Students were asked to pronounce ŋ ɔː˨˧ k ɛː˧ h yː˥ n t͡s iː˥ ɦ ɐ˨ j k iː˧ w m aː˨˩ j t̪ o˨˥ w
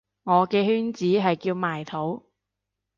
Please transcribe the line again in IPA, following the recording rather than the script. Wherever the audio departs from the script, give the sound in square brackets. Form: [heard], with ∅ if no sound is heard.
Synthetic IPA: ŋ ɔː˨˧ k ɛː˧ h yː˥ n t͡s [iː˨˥] ɦ ɐ˨ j k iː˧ w m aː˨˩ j [t̪ʰ] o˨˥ w